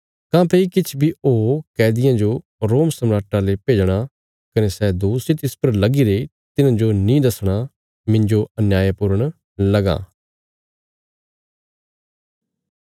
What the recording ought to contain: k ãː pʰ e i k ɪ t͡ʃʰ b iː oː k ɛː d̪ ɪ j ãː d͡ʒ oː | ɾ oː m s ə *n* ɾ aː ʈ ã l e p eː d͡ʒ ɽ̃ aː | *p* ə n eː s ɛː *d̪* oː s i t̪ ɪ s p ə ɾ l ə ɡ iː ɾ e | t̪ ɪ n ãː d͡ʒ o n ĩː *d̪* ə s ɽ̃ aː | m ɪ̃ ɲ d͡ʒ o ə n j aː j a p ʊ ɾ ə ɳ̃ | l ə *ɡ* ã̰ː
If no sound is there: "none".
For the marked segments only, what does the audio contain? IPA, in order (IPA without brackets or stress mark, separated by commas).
m, k, d̪, d̪, ɡ